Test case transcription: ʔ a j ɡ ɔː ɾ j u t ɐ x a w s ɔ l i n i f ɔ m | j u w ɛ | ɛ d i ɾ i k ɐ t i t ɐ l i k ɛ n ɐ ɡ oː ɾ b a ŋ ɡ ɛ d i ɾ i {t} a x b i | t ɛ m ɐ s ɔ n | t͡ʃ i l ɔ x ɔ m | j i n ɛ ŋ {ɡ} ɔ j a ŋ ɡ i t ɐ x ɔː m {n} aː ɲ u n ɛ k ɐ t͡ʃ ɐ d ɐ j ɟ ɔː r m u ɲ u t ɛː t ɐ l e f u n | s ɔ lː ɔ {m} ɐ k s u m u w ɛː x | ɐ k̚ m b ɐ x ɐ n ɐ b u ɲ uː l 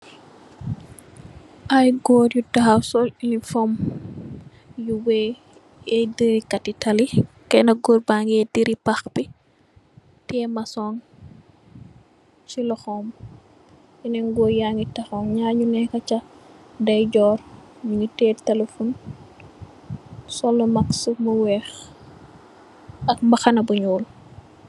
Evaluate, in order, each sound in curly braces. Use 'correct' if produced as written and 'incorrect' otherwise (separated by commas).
incorrect, correct, incorrect, correct